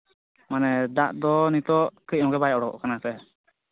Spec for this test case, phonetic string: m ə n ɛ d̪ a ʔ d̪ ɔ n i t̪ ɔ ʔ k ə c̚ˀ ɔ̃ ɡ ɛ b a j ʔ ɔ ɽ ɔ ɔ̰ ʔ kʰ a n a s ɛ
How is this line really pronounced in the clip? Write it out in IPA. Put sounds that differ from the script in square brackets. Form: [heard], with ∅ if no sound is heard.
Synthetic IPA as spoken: m [a] n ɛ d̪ a ʔ d̪ ɔ n i t̪ ɔ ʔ k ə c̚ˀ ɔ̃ ɡ ɛ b a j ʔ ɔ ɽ ɔ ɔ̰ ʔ [k] a n a s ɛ